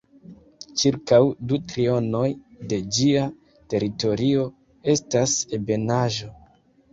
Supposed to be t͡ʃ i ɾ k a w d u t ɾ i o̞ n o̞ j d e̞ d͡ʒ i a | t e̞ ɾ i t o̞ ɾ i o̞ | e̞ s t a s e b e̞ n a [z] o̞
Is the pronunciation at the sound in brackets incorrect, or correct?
incorrect